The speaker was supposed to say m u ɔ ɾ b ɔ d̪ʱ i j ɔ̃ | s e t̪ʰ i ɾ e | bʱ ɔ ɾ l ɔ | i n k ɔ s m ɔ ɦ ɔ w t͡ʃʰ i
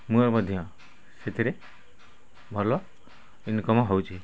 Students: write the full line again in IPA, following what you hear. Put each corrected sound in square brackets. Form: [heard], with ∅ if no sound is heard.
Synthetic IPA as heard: m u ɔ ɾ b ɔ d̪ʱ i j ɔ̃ | s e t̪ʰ i ɾ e | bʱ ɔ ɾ l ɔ | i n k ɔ [∅] m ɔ ɦ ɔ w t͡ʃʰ i

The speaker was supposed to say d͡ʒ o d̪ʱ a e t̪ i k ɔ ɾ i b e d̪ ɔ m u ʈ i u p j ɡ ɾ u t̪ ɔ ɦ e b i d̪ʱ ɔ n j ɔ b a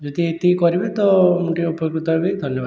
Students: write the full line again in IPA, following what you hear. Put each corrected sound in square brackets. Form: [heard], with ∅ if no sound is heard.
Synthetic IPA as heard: d͡ʒ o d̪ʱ [i] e t̪ i k ɔ ɾ i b e [t̪] ɔ m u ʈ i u p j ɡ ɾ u t̪ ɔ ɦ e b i d̪ʱ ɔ n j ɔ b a

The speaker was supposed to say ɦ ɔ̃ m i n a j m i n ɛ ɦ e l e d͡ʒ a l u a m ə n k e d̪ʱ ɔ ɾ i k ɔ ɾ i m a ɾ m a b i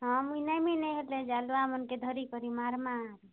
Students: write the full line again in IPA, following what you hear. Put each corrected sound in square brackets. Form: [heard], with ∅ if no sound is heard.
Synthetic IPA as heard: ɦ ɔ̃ m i n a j m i n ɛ ɦ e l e d͡ʒ a l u a m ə n k e d̪ʱ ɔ ɾ i k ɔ ɾ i m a ɾ m a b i

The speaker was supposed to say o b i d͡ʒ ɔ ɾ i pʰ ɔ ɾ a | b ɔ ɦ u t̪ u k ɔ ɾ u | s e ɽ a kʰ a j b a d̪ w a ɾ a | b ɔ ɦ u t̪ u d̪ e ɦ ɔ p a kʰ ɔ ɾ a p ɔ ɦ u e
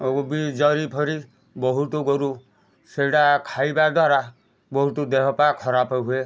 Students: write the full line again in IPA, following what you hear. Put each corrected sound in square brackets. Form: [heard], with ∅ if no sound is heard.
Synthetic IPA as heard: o b i d͡ʒ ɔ ɾ i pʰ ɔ ɾ [i] | b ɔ ɦ u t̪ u [ɡ] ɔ ɾ u | s e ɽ a kʰ a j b a d̪ w a ɾ a | b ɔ ɦ u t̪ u d̪ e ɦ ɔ p a kʰ ɔ ɾ a p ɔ ɦ u e

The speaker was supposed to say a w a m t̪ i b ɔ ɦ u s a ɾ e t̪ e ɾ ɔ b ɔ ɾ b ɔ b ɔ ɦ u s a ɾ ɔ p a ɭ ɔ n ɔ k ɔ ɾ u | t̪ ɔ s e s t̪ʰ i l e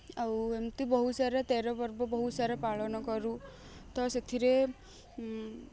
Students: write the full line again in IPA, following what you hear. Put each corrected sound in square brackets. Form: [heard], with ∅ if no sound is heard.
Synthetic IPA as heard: a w [e] m t̪ i b ɔ ɦ u s a ɾ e t̪ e ɾ ɔ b ɔ ɾ b ɔ b ɔ ɦ u s a ɾ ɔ p a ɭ ɔ n ɔ k ɔ ɾ u | t̪ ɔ s e [∅] t̪ʰ i [ɾ] e

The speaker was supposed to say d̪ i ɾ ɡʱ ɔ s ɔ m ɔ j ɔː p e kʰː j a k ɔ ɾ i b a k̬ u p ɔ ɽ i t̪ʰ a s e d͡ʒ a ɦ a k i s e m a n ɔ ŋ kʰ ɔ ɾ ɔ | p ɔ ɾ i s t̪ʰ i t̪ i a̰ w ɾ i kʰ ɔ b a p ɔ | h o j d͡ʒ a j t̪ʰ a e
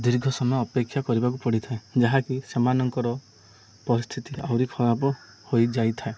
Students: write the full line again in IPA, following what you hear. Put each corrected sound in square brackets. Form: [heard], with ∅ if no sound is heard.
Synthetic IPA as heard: d̪ i ɾ ɡʱ ɔ s ɔ m ɔ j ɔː p e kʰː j a k ɔ ɾ i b a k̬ u p ɔ ɽ i t̪ʰ a [∅] e d͡ʒ a ɦ a k i s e m a n ɔ ŋ [k] ɔ ɾ ɔ | p ɔ ɾ i s t̪ʰ i t̪ i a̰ w ɾ i kʰ ɔ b a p ɔ | h o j d͡ʒ a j t̪ʰ a e

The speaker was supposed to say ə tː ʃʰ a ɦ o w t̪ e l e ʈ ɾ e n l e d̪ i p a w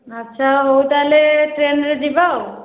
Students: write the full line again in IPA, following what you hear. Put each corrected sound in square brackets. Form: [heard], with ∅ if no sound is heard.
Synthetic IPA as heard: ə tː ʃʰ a ɦ o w t̪ [a] l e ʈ ɾ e n [ɾ] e d̪ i [b] a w

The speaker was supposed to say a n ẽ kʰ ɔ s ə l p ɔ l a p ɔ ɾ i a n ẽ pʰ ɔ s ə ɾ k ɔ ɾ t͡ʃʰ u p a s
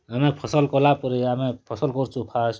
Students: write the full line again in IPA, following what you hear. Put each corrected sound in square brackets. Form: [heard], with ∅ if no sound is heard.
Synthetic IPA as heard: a [m] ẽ [pʰ] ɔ s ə l [k] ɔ l a p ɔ ɾ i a [m] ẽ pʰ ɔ s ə [l] k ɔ ɾ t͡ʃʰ u [pʰ] a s

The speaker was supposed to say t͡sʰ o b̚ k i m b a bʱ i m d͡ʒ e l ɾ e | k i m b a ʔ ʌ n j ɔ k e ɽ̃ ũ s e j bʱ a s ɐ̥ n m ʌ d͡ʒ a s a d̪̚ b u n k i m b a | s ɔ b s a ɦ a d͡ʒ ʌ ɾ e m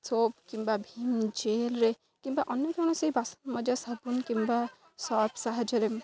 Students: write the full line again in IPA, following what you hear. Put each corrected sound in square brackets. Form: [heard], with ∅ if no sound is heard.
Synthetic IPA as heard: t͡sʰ o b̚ k i m b a bʱ i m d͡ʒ e l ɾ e | k i m b a ʔ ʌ n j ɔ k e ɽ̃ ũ s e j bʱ a s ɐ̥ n m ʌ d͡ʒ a s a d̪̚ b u n k i m b a | s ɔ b s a ɦ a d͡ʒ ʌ ɾ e m

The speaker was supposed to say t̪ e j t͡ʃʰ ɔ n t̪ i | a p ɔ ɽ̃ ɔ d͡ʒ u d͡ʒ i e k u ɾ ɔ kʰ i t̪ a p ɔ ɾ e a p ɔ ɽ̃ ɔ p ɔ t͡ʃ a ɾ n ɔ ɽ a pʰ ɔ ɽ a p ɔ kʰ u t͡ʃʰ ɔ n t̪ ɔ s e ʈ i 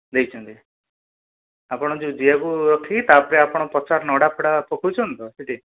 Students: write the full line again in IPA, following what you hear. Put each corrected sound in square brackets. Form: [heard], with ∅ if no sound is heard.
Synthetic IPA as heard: [d̪] e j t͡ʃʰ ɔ n t̪ i | a p ɔ ɽ̃ ɔ d͡ʒ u d͡ʒ i [a] k u ɾ ɔ kʰ i t̪ a p ɔ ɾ e a p ɔ ɽ̃ ɔ p ɔ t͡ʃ a ɾ n ɔ ɽ a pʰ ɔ ɽ a p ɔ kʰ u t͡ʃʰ ɔ n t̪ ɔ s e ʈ i

